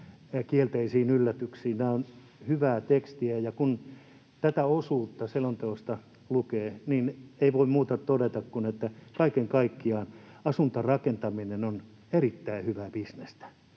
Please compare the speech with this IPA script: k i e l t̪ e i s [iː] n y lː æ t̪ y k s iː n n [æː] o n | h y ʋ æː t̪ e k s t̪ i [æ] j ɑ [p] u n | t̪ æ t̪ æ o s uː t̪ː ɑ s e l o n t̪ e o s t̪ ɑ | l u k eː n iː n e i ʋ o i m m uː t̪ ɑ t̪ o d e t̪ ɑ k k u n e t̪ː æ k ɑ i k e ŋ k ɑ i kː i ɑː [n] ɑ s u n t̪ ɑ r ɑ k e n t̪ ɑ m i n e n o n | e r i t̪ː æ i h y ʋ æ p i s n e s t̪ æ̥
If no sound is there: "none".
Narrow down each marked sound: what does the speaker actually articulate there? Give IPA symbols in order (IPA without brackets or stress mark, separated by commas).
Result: iː, æː, æ, k, n